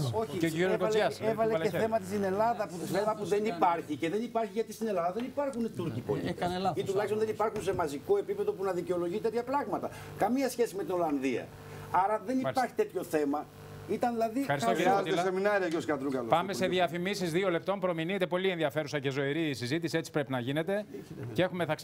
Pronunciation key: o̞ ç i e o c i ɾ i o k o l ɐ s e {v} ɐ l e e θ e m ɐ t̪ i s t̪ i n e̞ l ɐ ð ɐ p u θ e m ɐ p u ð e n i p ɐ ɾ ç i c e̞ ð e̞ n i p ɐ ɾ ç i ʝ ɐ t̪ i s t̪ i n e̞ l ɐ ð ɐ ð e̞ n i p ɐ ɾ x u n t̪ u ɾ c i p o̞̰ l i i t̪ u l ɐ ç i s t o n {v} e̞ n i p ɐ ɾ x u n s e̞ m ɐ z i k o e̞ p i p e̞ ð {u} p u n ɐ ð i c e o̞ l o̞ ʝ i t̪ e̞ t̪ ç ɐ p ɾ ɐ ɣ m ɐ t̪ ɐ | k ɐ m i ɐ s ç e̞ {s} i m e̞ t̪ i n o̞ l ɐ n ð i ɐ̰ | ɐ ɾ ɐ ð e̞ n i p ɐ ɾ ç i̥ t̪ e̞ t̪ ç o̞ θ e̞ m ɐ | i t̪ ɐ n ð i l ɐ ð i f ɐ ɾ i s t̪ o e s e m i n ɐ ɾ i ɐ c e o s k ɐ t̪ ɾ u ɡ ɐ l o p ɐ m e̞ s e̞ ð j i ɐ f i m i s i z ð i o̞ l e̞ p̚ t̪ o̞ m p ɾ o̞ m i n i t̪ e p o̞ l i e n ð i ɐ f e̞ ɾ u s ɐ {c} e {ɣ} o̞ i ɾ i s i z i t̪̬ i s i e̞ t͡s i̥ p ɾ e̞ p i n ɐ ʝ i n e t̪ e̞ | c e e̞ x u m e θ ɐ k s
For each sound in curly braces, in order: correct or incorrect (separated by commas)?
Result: correct, incorrect, incorrect, correct, correct, incorrect